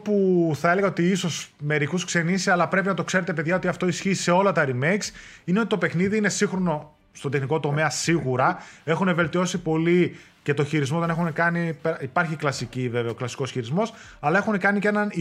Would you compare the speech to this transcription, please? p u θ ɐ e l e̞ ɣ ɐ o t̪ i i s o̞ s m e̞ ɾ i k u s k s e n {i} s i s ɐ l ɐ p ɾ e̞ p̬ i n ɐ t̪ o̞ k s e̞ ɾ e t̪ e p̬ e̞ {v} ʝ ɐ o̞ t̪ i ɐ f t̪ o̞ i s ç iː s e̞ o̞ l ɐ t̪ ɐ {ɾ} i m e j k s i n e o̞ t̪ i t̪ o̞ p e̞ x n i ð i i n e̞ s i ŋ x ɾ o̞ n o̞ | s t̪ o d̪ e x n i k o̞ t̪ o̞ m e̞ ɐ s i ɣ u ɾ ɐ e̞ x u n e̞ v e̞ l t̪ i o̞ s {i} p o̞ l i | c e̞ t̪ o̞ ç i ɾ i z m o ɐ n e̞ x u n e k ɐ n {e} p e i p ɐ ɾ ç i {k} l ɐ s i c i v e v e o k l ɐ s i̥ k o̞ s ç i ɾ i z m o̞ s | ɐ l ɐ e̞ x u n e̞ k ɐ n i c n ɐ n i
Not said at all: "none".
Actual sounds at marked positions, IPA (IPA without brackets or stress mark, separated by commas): i, ð, ɾ, i, i, k